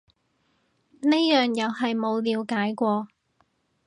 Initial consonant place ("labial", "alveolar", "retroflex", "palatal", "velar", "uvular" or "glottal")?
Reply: alveolar